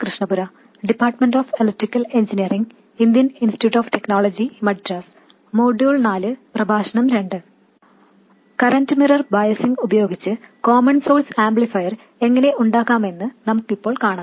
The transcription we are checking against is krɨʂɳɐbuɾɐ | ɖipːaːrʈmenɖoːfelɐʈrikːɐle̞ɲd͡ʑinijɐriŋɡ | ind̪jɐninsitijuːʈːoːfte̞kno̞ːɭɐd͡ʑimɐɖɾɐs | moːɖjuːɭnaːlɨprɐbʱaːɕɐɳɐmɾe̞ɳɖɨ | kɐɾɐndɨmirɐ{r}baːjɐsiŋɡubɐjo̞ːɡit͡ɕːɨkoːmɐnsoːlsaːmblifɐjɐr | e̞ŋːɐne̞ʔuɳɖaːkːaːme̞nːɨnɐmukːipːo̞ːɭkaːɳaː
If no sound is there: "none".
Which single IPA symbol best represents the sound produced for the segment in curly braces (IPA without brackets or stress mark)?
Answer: r